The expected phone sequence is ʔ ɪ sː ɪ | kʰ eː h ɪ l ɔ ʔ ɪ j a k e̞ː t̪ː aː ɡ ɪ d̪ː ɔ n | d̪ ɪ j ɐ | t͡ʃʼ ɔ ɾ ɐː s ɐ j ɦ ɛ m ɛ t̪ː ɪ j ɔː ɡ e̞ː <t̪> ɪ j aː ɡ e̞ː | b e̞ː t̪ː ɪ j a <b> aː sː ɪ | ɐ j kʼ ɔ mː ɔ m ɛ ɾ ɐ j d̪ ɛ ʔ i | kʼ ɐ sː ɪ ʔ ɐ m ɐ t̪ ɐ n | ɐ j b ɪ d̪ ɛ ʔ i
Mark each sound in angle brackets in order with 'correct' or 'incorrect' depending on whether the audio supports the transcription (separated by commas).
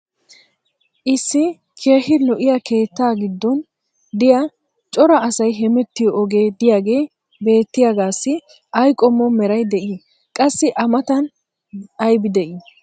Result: incorrect, incorrect